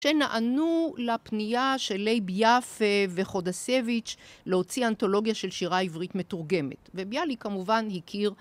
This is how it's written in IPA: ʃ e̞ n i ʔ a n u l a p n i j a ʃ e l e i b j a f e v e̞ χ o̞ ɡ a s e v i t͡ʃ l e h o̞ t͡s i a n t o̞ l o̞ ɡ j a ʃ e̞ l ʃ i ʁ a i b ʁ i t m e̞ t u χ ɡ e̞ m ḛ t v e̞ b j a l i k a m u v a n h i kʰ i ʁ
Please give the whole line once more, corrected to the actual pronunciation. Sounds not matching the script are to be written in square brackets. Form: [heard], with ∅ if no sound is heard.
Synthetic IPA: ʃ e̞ n [a] ʔ a n u l a p n i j a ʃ e l e [j] b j a f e v e̞ χ o̞ [d] a s e v i t͡ʃ l e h o̞ t͡s i a n t o̞ l o̞ ɡ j a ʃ e̞ l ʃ i ʁ a i [v] ʁ i t m e̞ t u [ʁ] ɡ e̞ m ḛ t v e̞ b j a l i k a m u v a n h i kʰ i ʁ